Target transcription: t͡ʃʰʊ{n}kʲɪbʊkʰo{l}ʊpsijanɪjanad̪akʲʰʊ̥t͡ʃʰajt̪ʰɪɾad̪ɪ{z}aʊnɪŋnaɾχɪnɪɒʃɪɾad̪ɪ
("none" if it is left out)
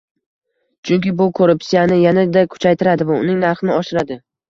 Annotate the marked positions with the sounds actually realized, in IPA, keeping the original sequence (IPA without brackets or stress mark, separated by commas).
ŋ, ɾ, v